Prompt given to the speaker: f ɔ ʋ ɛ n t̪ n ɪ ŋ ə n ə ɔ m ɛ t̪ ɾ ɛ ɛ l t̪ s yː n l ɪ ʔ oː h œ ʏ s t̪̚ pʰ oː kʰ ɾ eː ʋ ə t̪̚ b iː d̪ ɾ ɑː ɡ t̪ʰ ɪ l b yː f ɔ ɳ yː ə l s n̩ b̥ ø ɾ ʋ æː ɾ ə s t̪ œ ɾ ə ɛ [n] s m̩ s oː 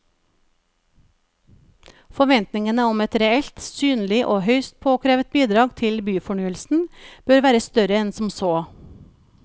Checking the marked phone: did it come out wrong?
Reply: no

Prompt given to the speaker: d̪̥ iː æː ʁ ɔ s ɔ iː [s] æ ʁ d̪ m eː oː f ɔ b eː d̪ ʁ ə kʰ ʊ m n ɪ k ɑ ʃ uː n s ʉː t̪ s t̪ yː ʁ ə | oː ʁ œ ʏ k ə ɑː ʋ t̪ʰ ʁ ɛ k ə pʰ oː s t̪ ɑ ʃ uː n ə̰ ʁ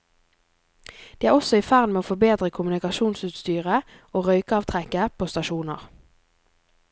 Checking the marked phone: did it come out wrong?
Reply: yes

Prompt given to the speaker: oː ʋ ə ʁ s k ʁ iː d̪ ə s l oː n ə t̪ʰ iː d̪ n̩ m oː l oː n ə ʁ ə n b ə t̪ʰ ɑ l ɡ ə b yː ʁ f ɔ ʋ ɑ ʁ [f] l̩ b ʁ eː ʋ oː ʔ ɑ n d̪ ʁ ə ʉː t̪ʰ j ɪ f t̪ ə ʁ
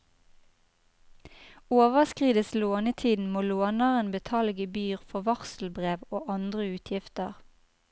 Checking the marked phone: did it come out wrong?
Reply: yes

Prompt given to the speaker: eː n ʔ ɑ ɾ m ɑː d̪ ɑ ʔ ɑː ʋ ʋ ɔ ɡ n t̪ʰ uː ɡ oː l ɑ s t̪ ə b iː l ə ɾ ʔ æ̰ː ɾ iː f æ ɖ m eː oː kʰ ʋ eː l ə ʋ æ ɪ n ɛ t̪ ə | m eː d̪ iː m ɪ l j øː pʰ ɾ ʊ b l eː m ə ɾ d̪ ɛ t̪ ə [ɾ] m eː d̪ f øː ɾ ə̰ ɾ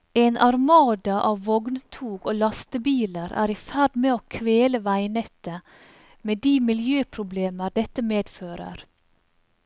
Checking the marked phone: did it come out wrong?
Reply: yes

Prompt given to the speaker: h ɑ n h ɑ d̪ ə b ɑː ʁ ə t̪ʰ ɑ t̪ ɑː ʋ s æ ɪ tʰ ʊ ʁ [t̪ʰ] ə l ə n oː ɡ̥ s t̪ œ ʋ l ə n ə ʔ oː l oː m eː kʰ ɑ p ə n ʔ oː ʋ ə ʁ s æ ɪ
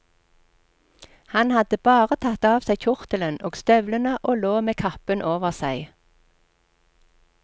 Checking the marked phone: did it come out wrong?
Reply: yes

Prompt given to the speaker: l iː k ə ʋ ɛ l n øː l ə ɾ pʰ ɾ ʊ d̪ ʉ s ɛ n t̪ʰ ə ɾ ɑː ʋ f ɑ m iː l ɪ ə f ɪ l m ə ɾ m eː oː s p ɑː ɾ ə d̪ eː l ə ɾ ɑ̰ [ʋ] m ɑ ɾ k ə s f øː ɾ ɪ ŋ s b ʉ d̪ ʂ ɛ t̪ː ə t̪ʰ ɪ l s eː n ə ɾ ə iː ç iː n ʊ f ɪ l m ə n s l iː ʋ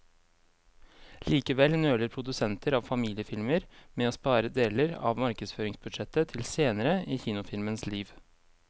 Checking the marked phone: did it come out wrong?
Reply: no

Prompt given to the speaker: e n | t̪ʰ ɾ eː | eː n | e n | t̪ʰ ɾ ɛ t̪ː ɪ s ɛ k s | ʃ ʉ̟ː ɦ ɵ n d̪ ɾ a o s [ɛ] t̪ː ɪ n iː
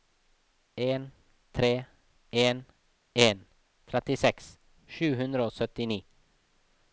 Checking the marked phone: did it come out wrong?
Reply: yes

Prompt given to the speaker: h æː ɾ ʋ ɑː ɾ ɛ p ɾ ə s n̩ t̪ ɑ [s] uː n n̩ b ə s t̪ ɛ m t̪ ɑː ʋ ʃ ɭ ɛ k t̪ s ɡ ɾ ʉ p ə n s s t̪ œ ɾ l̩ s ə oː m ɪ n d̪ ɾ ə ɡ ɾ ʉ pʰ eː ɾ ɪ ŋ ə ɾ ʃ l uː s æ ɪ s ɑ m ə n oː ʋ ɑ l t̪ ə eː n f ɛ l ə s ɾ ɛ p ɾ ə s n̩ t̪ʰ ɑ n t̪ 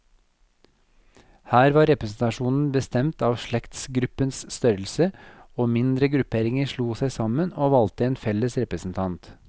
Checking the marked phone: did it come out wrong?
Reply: yes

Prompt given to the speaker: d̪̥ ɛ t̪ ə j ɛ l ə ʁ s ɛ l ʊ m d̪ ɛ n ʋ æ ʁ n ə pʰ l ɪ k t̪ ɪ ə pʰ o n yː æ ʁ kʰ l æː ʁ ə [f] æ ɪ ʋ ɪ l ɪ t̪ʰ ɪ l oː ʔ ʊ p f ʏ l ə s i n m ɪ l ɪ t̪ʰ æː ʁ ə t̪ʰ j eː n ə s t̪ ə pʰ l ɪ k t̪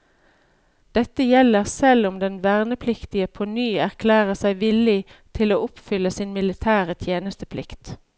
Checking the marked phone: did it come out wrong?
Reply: yes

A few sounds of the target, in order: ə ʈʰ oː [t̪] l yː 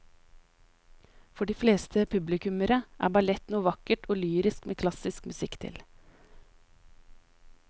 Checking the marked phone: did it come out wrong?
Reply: yes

